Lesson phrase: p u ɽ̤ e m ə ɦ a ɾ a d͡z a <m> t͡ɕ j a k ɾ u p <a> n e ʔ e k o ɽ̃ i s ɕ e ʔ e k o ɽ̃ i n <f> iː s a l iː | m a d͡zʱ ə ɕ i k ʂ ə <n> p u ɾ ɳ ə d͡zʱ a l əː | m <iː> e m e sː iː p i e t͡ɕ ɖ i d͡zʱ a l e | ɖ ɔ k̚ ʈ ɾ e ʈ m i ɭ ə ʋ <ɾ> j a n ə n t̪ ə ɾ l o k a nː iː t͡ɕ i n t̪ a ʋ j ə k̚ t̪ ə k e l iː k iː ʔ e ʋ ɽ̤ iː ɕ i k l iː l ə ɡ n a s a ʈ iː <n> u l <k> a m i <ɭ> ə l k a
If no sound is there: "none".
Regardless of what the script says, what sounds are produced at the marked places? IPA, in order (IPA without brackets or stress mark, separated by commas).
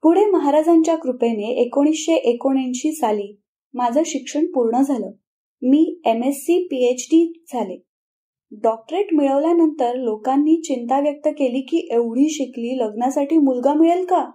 ɲ, e, ɕ, ɳ, iː, l, m, ɡ, ɭ